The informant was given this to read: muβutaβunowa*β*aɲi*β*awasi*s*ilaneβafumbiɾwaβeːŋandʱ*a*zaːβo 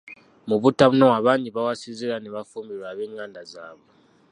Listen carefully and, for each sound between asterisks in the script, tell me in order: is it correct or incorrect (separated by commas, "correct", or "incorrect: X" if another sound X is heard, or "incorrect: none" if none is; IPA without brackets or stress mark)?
correct, correct, incorrect: z, correct